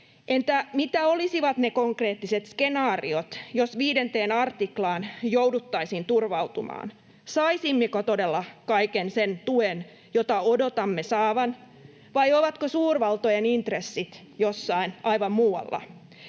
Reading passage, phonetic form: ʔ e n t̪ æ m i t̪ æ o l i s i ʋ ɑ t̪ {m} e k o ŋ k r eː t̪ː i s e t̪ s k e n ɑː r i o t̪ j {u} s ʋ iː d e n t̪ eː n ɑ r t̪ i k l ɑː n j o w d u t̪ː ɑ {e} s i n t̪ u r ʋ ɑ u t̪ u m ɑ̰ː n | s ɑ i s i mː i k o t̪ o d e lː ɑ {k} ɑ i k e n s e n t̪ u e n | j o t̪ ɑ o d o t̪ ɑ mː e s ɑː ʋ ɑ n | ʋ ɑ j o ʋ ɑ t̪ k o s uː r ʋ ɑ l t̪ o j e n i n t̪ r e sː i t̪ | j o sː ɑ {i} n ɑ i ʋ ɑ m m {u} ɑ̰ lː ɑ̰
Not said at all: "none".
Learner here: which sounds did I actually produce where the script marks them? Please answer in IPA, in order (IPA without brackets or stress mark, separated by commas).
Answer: n, o, i, k, i, uː